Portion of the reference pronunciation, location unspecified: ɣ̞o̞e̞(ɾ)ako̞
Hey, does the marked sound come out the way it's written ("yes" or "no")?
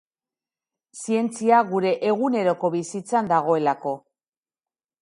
no